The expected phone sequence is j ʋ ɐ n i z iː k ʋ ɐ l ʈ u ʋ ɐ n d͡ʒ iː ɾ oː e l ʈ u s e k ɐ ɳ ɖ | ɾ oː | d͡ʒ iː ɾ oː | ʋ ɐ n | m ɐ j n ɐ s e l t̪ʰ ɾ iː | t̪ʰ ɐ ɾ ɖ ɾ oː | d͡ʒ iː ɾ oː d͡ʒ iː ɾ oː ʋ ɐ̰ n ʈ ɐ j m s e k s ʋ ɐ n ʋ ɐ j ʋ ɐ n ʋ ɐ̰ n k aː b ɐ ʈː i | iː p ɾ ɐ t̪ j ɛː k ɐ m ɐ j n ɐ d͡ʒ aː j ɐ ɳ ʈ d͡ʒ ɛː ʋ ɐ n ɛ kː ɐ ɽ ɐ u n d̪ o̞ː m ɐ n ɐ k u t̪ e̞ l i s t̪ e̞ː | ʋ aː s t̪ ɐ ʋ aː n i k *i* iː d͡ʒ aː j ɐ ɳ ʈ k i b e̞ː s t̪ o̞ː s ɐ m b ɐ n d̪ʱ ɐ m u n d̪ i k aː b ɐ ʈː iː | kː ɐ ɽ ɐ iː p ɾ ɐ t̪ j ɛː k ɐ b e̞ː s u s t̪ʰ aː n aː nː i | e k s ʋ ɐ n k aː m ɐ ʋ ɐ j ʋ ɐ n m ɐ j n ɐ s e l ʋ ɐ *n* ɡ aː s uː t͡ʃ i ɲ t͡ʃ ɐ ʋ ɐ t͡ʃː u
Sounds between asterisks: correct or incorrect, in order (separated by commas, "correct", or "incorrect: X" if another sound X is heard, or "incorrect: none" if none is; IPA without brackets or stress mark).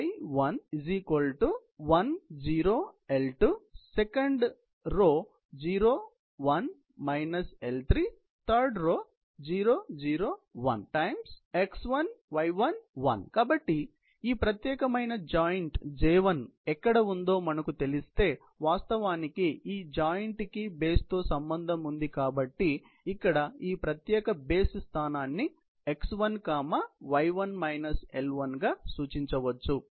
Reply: correct, correct